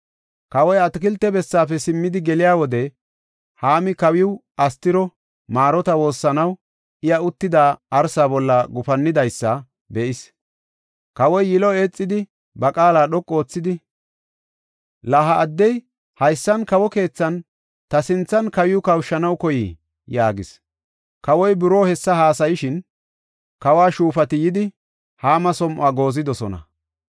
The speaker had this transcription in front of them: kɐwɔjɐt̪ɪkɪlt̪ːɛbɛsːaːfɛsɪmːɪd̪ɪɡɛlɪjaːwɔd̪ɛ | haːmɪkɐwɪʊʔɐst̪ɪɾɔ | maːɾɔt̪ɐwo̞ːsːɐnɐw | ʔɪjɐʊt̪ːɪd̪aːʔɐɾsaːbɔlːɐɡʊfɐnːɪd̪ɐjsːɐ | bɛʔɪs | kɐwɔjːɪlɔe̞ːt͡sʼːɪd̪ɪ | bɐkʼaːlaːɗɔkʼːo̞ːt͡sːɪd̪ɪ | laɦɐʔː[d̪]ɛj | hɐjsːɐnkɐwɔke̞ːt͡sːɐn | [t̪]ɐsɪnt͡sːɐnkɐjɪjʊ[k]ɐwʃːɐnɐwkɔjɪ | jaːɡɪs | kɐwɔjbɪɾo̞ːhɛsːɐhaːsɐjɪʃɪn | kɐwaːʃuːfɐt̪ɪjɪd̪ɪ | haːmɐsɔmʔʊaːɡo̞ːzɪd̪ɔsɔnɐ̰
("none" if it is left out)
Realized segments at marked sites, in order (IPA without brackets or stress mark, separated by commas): d̪ː, t̪, k